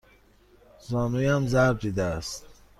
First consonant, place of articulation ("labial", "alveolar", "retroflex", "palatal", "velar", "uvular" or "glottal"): alveolar